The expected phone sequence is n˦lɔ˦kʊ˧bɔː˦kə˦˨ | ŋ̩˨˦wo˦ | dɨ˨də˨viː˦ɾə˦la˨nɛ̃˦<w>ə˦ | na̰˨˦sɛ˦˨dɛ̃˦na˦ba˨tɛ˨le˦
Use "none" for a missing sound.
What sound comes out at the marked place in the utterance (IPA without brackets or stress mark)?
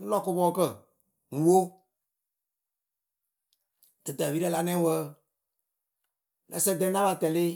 w